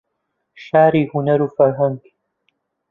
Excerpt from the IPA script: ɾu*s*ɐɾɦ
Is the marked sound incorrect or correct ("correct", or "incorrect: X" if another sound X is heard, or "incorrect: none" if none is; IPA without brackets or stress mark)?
incorrect: f